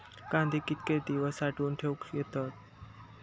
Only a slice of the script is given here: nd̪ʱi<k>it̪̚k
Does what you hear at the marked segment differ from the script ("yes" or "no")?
no